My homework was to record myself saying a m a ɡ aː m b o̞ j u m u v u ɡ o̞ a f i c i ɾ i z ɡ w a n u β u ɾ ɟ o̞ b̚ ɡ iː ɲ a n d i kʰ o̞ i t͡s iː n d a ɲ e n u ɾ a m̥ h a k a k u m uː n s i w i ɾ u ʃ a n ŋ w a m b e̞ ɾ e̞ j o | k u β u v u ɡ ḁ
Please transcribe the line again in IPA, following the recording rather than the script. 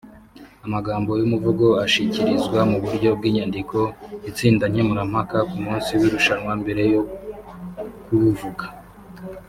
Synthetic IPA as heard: a m a ɡ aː m b o̞ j u m u v u ɡ o̞ a ʃ i c i ɾ i z ɡ w a m u β u ɾ ɟ o̞ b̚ ɡ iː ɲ a n d i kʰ o̞ i t͡s iː n d a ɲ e m u ɾ a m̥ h a k a k u m uː n s i w i ɾ u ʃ a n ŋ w a m b e̞ ɾ e̞ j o | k u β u v u ɡ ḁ